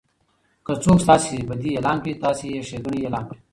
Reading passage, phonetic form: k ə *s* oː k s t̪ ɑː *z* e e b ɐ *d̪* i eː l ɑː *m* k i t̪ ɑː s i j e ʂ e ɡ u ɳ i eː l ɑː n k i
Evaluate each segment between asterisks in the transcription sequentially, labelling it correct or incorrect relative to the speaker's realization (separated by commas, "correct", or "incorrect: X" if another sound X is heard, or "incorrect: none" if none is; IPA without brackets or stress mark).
incorrect: t͡s, incorrect: s, correct, incorrect: n